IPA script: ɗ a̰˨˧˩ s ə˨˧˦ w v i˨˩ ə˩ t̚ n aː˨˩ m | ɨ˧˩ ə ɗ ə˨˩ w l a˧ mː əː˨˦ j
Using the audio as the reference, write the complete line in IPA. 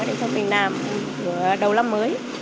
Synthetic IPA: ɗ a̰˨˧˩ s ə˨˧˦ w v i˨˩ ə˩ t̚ n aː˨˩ m | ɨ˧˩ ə ɗ ə˨˩ w l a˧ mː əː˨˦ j